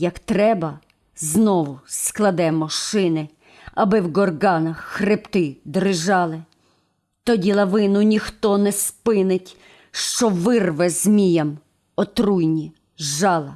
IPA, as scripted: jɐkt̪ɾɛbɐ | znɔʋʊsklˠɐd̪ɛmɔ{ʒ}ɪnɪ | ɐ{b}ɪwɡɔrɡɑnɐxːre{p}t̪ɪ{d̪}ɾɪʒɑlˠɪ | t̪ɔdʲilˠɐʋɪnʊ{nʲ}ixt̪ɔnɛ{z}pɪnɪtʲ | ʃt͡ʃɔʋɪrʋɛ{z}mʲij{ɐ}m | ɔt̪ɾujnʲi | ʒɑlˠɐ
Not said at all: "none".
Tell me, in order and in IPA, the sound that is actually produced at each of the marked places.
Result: ʃ, b, p, d̪, nʲ, s, z, ɐ

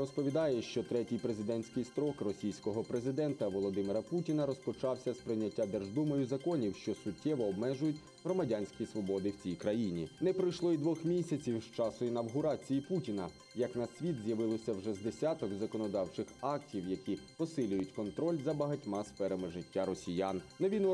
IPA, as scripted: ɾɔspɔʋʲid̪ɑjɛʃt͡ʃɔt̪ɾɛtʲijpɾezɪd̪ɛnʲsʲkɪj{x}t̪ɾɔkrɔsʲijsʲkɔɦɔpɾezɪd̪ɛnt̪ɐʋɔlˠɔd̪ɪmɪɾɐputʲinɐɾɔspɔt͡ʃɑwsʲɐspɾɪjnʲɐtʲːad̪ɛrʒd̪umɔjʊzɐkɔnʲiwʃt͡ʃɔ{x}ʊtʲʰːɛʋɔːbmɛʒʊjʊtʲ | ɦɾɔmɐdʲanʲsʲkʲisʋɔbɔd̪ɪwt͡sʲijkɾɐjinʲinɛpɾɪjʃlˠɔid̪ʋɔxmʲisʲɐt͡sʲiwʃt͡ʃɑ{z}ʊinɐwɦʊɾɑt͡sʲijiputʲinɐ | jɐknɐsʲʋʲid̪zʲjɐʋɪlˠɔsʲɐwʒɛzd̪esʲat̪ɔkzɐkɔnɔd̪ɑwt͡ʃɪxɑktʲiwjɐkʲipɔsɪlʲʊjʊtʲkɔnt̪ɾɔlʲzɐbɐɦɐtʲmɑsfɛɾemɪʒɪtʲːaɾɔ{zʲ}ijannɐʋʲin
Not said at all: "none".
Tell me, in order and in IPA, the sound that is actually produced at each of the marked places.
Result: s, s, s, sʲ

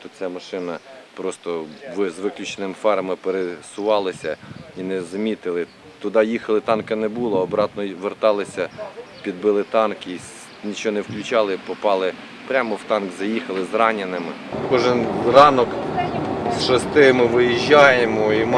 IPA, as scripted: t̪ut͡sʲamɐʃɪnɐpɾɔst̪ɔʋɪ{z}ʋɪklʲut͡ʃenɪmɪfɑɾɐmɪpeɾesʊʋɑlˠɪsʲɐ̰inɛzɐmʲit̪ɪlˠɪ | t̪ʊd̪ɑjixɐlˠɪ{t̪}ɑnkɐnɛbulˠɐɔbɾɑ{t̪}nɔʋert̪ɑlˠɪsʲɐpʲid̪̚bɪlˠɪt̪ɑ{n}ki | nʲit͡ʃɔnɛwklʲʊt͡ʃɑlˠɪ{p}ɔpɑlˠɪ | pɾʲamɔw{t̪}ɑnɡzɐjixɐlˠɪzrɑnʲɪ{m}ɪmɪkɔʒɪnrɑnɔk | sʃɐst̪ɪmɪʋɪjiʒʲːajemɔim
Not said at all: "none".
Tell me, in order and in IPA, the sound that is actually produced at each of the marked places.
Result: z, t̪, t̪, n, p, t̪, n

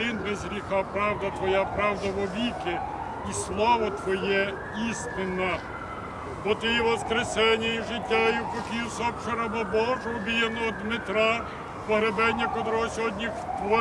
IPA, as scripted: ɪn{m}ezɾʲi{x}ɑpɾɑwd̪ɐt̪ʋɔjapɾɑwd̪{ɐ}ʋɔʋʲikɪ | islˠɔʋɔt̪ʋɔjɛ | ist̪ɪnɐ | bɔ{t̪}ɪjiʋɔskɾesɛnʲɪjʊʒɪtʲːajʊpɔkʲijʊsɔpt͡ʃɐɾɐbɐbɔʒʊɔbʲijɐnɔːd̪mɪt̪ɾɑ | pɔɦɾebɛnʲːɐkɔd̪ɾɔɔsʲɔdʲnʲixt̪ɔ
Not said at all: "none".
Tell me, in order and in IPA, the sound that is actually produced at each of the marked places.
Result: b, x, ɐ, t̪

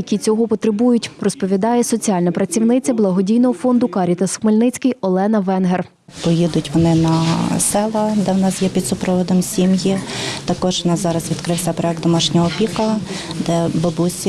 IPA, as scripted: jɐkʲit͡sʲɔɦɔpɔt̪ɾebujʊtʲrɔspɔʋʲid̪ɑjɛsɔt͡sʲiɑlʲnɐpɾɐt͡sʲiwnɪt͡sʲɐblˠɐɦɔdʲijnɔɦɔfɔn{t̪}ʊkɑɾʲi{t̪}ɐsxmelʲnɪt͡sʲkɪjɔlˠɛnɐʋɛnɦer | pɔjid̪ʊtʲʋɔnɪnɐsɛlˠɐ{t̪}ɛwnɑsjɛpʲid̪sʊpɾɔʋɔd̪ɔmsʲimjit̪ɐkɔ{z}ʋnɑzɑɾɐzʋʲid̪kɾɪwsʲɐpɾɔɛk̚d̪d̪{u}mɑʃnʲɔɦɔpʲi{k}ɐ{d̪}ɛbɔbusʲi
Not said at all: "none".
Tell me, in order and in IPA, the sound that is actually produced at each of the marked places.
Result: d̪, t̪, d̪, ʒ, ɔ, k, d̪

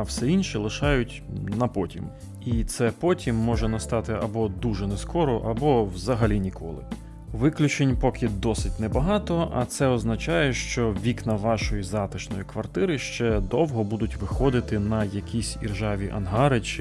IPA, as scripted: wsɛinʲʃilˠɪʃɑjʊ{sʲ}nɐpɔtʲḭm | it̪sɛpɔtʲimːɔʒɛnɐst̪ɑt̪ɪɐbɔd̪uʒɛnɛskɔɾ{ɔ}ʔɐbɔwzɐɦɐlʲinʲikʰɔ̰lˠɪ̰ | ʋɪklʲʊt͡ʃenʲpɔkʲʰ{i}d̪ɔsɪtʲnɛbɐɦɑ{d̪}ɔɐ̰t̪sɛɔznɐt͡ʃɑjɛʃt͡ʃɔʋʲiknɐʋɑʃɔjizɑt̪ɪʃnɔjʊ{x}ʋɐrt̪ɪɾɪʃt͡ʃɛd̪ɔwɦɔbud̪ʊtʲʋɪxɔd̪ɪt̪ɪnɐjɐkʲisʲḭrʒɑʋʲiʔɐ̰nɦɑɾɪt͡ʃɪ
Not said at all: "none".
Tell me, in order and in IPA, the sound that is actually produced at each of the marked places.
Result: tʲ, ɔ, ɪ, t̪, k

